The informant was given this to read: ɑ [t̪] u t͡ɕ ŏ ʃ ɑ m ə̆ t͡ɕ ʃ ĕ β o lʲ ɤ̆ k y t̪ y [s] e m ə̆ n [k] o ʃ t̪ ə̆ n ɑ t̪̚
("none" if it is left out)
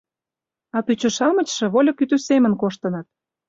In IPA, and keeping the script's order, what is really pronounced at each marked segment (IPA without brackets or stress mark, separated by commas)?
t̪, s, k